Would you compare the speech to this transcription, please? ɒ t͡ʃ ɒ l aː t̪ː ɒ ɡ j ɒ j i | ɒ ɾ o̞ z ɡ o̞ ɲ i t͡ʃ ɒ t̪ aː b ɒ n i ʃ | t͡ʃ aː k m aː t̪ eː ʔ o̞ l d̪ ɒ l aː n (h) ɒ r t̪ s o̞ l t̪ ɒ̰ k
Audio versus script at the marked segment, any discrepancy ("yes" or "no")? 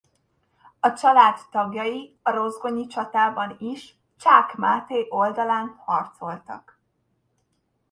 no